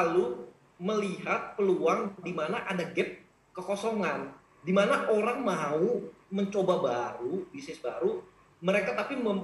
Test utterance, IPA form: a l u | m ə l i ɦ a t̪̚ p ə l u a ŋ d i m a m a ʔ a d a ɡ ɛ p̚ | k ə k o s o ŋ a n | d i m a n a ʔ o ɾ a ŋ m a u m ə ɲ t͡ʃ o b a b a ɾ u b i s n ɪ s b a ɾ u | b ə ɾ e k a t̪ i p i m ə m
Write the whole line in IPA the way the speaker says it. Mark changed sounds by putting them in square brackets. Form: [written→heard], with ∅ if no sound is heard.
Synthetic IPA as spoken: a l u | m ə l i ɦ a t̪̚ p ə l u a ŋ d i m a [m→n] a ʔ a d a ɡ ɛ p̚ | k ə k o s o ŋ a n | d i m a n a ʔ o ɾ a ŋ m a u m ə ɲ t͡ʃ o b a b a ɾ u b i s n ɪ s b a ɾ u | [b→m] ə ɾ e k a t̪ [i→a] p i m ə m